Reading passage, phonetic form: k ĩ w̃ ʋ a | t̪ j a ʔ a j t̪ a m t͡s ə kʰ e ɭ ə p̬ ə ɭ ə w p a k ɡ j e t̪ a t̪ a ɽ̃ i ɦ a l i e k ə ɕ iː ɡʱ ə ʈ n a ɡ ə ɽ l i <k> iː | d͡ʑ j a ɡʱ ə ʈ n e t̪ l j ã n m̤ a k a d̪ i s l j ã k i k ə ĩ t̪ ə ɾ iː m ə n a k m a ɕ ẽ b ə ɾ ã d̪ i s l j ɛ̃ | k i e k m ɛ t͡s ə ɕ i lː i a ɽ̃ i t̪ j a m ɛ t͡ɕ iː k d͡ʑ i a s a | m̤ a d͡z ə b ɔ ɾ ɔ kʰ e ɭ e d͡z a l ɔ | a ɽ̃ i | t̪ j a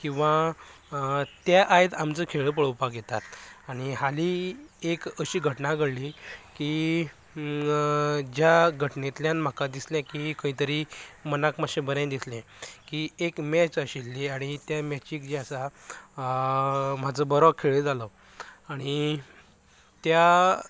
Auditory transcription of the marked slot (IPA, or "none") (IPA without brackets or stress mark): k